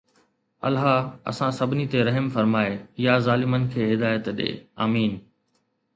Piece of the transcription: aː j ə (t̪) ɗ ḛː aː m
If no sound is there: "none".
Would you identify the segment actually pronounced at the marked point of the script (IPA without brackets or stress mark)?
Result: t̪